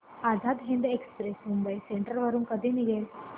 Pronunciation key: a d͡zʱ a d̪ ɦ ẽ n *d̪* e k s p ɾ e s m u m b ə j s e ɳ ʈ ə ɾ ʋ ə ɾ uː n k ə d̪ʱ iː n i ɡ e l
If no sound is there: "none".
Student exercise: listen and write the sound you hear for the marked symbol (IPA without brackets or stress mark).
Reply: d̪